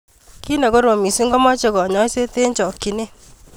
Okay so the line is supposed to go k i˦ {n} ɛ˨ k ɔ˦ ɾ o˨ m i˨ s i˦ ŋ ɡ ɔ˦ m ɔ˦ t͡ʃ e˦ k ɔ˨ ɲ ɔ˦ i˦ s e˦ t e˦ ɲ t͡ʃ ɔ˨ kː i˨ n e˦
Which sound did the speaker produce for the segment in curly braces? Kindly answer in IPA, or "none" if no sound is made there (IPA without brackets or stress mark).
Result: n